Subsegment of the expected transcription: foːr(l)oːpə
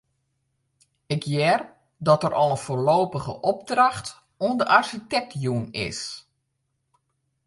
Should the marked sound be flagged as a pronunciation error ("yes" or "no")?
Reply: no